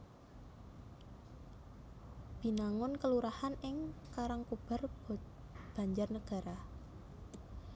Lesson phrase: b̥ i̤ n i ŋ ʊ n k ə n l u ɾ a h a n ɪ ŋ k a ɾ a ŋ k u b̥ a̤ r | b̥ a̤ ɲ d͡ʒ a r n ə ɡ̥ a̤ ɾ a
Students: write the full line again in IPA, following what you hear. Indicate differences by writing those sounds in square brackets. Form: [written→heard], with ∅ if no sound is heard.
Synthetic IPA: b̥ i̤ n [i→a] ŋ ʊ n k ə [n→∅] l u ɾ a h a n ɪ ŋ k a ɾ a ŋ k u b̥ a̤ r | b̥ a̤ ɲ d͡ʒ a r n ə ɡ̥ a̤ ɾ a